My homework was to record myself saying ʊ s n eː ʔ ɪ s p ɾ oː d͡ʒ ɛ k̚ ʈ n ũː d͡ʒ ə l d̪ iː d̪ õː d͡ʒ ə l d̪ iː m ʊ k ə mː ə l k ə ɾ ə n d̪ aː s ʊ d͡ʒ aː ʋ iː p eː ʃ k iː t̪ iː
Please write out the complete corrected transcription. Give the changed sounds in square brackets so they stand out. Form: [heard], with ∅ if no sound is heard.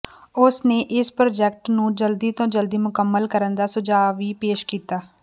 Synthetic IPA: ʊ s n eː ʔ ɪ s p ɾ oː d͡ʒ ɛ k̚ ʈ n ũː d͡ʒ ə l d̪ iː [t̪] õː d͡ʒ ə l d̪ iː m ʊ k ə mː ə l k ə ɾ ə n d̪ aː s ʊ d͡ʒ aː ʋ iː p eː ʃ k iː t̪ [aː]